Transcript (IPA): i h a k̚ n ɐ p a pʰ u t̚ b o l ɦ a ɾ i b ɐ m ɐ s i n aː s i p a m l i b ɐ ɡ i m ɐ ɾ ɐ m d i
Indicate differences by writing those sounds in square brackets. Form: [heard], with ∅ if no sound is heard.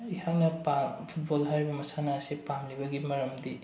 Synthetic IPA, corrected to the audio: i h a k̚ n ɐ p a pʰ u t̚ b o l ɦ a ɾ i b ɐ m ɐ s [a] n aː s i p a m l i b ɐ ɡ i m ɐ ɾ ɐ m d i